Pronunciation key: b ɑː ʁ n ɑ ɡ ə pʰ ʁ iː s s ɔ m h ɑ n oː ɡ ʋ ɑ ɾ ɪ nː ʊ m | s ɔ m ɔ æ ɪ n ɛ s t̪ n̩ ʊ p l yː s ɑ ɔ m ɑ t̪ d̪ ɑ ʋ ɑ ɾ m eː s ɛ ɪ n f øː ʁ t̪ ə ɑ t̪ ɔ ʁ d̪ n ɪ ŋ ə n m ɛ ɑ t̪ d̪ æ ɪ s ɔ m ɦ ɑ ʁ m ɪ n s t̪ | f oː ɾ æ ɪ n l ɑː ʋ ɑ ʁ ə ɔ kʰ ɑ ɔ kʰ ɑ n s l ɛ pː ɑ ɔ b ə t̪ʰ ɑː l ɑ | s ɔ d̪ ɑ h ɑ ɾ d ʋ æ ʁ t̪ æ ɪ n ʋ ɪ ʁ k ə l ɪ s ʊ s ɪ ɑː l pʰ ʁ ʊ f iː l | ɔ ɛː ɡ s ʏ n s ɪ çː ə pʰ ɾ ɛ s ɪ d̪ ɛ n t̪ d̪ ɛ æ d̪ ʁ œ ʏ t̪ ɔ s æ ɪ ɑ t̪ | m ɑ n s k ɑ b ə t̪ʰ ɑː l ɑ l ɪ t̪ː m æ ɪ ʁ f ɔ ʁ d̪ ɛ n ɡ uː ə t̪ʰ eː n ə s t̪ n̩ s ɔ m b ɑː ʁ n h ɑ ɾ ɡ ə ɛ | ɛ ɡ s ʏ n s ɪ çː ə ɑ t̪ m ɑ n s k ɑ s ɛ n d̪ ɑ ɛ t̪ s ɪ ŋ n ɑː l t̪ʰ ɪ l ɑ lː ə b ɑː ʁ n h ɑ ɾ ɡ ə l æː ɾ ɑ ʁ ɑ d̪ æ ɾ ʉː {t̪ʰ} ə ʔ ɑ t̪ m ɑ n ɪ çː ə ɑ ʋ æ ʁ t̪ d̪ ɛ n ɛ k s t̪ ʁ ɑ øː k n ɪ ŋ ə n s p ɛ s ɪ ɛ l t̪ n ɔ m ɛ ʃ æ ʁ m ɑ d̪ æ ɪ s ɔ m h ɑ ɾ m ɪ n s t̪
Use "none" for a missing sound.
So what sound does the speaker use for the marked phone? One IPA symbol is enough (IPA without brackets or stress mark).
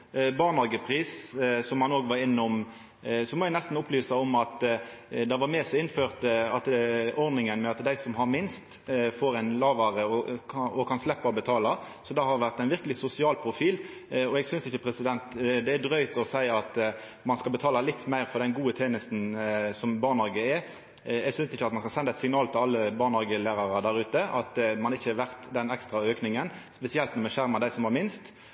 t̪